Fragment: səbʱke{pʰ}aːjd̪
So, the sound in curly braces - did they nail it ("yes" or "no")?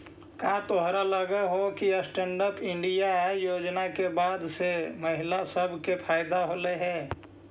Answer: yes